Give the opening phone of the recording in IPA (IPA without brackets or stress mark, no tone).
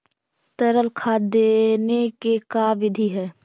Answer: t̪